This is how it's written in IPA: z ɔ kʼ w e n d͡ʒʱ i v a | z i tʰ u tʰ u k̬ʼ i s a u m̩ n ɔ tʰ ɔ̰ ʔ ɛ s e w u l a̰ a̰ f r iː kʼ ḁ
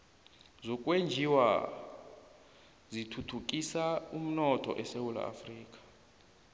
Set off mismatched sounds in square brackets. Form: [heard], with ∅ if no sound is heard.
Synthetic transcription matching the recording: z ɔ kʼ w e n d͡ʒʱ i [w] a | z i tʰ u tʰ u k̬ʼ i s a u m̩ n ɔ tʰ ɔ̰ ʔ ɛ s e w u l a̰ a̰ f r iː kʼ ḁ